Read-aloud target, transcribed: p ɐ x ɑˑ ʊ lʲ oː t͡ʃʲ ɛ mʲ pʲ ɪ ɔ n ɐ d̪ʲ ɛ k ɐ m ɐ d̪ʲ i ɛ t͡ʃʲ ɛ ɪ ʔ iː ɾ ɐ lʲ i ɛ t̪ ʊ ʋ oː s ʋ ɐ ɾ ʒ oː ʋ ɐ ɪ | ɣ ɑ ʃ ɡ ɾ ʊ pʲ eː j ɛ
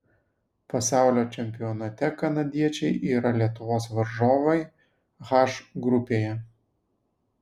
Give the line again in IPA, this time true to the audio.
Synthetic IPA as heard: p ɐ s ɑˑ ʊ lʲ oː t͡ʃʲ ɛ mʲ pʲ ɪ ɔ n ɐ t̪ʲ ɛ k ɐ n ɐ d̪ʲ i ɛ t͡ʃʲ ɛ ɪ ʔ iː ɾ ɐ lʲ i ɛ t̪ ʊ ʋ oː s ʋ ɐ ɾ ʒ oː ʋ ɐ ɪ | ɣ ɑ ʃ ɡ ɾ ʊ pʲ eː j ɛ

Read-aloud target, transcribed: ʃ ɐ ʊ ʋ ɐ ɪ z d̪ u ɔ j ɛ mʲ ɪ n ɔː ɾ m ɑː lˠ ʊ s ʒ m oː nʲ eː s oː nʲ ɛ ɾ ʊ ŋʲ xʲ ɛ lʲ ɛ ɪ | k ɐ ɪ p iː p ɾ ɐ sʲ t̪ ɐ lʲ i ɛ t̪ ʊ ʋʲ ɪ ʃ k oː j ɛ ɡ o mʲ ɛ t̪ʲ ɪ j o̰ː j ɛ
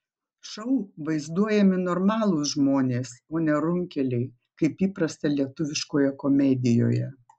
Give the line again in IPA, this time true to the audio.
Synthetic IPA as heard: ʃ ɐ ʊ ʋ ɐ ɪ z d̪ u ɔ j ɛ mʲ ɪ n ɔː ɾ m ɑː lˠ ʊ s ʒ m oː nʲ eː s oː nʲ ɛ ɾ ʊ ŋʲ kʲ ɛ lʲ ɛ ɪ | k ɐ ɪ p iː p ɾ ɐ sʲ t̪ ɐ lʲ i ɛ t̪ ʊ ʋʲ ɪ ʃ k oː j ɛ k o mʲ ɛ d̪ʲ ɪ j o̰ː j ɛ

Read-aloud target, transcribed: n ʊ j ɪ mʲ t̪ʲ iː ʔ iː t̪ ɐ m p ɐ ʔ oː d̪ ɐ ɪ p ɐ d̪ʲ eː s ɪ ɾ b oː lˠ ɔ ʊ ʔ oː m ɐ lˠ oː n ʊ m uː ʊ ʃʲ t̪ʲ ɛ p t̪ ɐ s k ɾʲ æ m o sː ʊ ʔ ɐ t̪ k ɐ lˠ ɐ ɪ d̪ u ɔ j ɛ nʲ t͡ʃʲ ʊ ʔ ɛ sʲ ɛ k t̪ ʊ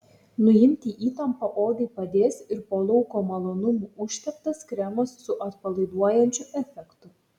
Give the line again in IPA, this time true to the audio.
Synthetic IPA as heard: n ʊ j ɪ mʲ t̪ʲ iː ʔ iː t̪ ɐ m p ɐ ʔ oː d̪ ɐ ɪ p ɐ d̪ʲ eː s ɪ ɾ p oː lˠ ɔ ʊ k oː m ɐ lˠ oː n ʊ m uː ʊ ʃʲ t̪ʲ ɛ p t̪ ɐ s k ɾʲ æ m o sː ʊ ʔ ɐ t̪ p ɐ lˠ ɐ ɪ d̪ u ɔ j ɛ nʲ t͡ʃʲ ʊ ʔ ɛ fʲ ɛ k t̪ ʊ

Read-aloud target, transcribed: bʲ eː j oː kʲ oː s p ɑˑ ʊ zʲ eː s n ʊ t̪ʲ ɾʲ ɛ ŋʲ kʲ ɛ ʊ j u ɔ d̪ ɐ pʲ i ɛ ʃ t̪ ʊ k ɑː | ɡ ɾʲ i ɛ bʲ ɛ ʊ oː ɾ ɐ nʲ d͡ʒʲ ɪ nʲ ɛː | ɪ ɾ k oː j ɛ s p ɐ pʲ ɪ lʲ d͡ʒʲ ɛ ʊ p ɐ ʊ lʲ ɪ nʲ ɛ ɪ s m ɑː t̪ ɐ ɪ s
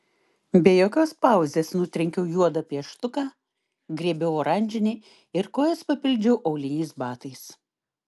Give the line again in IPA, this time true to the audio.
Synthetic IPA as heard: bʲ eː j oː kʲ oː s p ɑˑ ʊ zʲ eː s n ʊ t̪ʲ ɾʲ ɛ ŋʲ kʲ ɛ ʊ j u ɔ d̪ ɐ pʲ i ɛ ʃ t̪ ʊ k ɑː | ɡ ɾʲ i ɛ bʲ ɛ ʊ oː ɾ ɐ nʲ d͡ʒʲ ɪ nʲ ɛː | ɪ ɾ k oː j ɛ s p ɐ pʲ ɪ lʲ d͡ʒʲ ɛ ʊ ʔ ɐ ʊ lʲ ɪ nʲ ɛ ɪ s b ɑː t̪ ɐ ɪ s

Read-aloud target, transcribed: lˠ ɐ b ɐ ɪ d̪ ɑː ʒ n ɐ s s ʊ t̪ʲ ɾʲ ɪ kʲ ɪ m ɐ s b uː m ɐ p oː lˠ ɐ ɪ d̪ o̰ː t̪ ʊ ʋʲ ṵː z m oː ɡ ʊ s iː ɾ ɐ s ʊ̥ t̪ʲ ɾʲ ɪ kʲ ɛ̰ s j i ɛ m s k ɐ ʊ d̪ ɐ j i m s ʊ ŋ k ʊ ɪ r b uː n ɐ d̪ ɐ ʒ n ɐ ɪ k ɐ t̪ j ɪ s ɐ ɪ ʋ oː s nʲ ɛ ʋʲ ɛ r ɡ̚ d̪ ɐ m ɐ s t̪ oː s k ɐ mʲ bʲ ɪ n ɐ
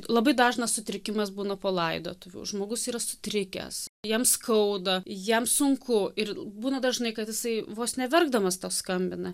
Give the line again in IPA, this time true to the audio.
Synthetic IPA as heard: lˠ ɐ b ɐ ɪ d̪ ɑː ʒ n ɐ s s ʊ t̪ʲ ɾʲ ɪ kʲ ɪ m ɐ s b uː n ɐ p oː lˠ ɐ ɪ d̪ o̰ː t̪ ʊ ʋʲ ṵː ʒ m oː ɡ ʊ s iː ɾ ɐ s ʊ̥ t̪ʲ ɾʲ ɪ kʲ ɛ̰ s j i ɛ m s k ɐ ʊ d̪ ɐ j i m s ʊ ŋ k ʊ ɪ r b uː n ɐ d̪ ɐ ʒ n ɐ ɪ k ɐ t̪ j ɪ s ɐ ɪ ʋ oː s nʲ ɛ ʋʲ ɛ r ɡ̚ d̪ ɐ m ɐ s t̪ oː s k ɐ mʲ bʲ ɪ n ɐ

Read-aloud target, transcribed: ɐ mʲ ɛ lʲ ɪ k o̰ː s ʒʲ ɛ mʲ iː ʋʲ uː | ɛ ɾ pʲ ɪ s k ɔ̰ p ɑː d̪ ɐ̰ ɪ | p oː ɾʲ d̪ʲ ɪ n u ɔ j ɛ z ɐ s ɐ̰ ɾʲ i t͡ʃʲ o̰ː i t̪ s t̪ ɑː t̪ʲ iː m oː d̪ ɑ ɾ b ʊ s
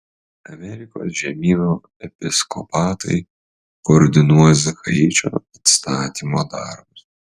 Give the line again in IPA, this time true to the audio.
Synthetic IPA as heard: ɐ mʲ ɛ ɾʲ ɪ k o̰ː s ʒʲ ɛ mʲ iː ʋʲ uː | ɛ pʲ ɪ s k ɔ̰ p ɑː t̪ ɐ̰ ɪ | k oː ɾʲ d̪ʲ ɪ n u ɔ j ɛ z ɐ x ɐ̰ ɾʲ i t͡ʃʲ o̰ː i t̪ s t̪ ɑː t̪ʲ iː m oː d̪ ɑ ɾ b ʊ s

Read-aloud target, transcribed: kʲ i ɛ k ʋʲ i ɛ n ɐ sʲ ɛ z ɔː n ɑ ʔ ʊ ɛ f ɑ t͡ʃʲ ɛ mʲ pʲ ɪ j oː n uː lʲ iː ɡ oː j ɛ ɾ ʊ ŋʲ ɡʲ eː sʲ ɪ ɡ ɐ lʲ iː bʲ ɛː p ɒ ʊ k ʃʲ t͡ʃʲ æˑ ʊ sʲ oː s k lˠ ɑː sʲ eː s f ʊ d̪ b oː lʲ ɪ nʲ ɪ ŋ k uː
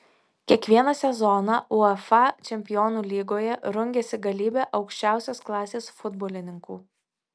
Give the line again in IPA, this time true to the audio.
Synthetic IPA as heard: kʲ i ɛ k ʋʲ i ɛ n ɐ sʲ ɛ z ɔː n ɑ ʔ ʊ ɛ f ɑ t͡ʃʲ ɛ mʲ pʲ ɪ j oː n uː lʲ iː ɡ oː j ɛ ɾ ʊ ŋʲ ɡʲ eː sʲ ɪ ɡ ɐ lʲ iː bʲ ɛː ʔ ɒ ʊ k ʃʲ t͡ʃʲ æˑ ʊ sʲ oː s k lˠ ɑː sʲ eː s f ʊ d̪ b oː lʲ ɪ nʲ ɪ ŋ k uː

